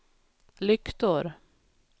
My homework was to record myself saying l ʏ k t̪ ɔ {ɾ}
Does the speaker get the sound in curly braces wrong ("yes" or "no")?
no